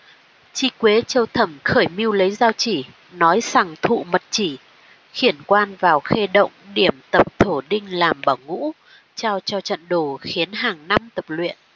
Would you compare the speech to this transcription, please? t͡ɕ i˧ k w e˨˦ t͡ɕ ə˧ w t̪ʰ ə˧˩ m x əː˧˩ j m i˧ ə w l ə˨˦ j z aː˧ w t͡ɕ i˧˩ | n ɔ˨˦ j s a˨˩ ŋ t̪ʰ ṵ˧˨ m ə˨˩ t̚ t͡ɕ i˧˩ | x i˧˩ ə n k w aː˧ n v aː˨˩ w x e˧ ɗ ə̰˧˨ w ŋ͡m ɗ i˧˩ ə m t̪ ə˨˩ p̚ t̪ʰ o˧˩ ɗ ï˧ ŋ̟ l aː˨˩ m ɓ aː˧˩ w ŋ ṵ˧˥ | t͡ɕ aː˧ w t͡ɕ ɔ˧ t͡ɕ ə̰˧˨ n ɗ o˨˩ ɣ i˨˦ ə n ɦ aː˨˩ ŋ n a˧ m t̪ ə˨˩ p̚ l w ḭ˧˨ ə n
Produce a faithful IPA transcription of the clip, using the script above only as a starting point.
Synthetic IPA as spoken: t͡ɕ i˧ k w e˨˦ t͡ɕ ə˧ w t̪ʰ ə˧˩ m x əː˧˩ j m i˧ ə w l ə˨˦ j z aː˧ w t͡ɕ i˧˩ | n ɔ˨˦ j s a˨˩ ŋ t̪ʰ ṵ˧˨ m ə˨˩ t̚ t͡ɕ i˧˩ | x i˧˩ ə n k w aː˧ n v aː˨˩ w x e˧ ɗ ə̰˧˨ w ŋ͡m ɗ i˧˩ ə m t̪ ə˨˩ p̚ t̪ʰ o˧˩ ɗ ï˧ ŋ̟ l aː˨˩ m ɓ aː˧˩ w ŋ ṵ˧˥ | t͡ɕ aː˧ w t͡ɕ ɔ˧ t͡ɕ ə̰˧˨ n ɗ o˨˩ x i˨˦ ə n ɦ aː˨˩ ŋ n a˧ m t̪ ə˨˩ p̚ l w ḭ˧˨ ə n